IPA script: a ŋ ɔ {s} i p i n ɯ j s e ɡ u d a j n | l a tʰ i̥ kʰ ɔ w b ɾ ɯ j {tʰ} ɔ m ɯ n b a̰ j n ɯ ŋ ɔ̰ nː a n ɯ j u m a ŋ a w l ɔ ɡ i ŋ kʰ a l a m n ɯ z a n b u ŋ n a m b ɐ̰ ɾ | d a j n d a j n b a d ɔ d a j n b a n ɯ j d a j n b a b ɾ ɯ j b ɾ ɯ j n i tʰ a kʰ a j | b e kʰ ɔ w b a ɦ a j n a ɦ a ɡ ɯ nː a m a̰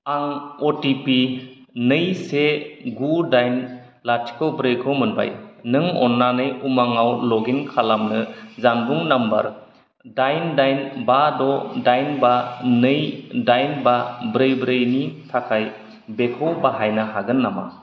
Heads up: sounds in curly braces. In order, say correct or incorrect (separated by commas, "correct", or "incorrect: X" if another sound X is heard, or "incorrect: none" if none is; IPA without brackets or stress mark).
incorrect: t, incorrect: kʰ